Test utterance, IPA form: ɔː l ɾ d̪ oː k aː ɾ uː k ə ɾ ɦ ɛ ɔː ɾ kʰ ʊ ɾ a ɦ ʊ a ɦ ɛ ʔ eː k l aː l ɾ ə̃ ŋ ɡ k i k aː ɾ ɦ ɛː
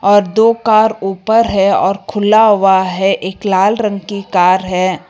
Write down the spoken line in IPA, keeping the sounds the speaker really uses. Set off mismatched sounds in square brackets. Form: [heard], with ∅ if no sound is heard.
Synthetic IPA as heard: ɔː [∅] ɾ d̪ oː k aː ɾ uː [p] ə ɾ ɦ ɛ ɔː ɾ kʰ ʊ [l] a ɦ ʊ a ɦ ɛ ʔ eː k l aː l ɾ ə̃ ŋ ɡ k i k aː ɾ ɦ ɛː